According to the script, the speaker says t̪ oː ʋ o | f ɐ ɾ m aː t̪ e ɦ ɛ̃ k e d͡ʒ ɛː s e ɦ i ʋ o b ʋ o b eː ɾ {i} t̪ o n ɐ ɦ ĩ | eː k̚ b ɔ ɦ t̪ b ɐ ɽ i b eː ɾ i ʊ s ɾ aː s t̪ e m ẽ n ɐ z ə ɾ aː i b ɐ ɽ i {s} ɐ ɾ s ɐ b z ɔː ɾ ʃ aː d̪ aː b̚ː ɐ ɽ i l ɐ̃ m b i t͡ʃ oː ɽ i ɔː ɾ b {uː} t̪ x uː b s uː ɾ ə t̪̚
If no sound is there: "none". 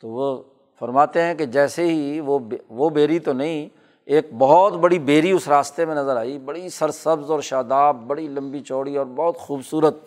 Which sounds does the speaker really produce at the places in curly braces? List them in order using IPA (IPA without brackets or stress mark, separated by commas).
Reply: i, s, ɔː